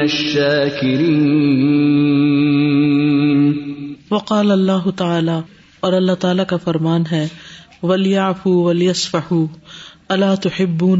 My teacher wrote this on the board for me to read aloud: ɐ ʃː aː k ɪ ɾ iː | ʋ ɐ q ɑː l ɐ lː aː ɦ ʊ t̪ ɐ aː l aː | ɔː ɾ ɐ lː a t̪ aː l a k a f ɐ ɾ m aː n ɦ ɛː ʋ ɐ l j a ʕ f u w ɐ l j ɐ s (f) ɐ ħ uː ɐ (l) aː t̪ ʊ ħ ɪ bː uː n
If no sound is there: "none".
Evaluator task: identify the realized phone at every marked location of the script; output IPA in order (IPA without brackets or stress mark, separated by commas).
f, l